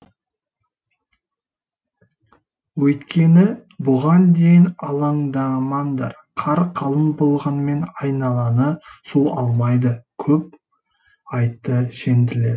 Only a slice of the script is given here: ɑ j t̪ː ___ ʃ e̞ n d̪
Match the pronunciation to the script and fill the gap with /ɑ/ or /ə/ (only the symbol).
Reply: ə